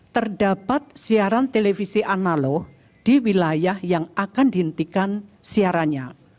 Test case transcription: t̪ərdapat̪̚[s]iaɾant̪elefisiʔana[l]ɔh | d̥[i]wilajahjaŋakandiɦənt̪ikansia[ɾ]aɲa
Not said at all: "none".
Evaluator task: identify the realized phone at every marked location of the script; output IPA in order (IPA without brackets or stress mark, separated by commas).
s, l, i, ɾ